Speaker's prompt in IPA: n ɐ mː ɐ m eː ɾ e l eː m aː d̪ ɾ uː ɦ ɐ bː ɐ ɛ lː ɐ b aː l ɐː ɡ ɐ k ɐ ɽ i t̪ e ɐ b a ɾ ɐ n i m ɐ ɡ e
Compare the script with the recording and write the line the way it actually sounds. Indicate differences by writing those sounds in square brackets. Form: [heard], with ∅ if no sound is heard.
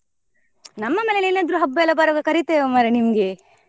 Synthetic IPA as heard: n ɐ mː ɐ m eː [l] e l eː [n] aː d̪ ɾ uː ɦ ɐ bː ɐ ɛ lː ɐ b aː [ɾ] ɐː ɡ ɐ k ɐ [ɾ] i t̪ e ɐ [m] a ɾ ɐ n i m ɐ ɡ e